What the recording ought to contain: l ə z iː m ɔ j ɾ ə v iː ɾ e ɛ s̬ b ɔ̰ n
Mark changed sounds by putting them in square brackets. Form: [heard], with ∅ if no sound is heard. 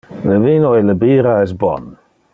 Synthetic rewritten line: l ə [v] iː [n] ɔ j [l] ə [b] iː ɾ [a] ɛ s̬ b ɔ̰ n

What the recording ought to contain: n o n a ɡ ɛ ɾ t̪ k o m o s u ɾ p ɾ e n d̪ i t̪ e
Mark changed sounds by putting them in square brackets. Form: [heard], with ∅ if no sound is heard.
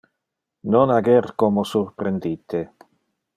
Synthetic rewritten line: n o n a ɡ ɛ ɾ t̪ k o m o s u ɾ p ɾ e n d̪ i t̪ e

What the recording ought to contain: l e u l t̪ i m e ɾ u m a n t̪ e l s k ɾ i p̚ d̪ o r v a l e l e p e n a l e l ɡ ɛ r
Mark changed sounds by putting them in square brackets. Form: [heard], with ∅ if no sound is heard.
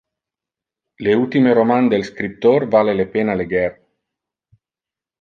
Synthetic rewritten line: l e u l t̪ i m e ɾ [o] m a n [d̪] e l s k ɾ i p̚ [t̪] o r v a l e l e p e n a l e [∅] ɡ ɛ r

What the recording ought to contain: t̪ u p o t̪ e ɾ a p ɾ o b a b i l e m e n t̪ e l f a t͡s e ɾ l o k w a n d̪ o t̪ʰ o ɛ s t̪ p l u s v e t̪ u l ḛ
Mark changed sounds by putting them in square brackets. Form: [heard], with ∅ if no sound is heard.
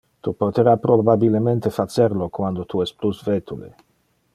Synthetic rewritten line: t̪ u p o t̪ e ɾ a p ɾ o b a b i l e m e n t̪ e [∅] f a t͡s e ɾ l o k w a n d̪ o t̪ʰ [u] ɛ s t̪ p l u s v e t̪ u l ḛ

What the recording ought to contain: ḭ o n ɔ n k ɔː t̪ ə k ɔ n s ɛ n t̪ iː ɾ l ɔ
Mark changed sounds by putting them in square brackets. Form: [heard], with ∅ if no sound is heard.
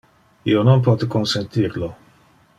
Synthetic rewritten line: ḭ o n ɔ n [p] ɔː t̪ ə k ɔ n s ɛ n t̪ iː ɾ l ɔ

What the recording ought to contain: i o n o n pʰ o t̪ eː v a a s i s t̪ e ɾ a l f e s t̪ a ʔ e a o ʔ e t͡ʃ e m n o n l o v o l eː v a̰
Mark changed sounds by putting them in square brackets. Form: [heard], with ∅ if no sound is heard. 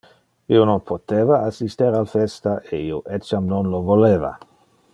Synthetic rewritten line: i o n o n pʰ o t̪ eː v a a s i s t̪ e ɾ a l f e s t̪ a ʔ e [i] o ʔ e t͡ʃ [a] m n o n l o v o l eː v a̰

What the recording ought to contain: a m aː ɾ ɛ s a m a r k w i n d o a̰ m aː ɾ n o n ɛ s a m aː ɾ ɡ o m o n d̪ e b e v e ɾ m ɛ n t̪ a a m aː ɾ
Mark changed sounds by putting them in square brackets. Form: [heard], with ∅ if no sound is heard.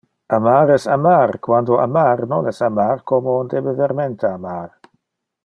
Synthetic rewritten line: a m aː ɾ ɛ s a m a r k w [a] n d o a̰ m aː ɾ n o n ɛ s a m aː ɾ [k] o m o n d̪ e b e v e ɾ m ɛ n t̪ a a m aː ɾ

